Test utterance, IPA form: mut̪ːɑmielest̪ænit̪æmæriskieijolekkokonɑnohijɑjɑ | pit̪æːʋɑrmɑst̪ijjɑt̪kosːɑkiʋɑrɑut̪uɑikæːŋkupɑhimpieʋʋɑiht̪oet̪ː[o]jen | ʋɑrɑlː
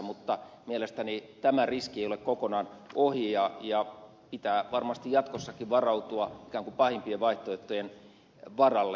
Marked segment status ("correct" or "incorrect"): correct